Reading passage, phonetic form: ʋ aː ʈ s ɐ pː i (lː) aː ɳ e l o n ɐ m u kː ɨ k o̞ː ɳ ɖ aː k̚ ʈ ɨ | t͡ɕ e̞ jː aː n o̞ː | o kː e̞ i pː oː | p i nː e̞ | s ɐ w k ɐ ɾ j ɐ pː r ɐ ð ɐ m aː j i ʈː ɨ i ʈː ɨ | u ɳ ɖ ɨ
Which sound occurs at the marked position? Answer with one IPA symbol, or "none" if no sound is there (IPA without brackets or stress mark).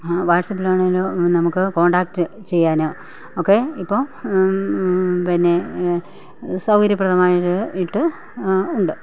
l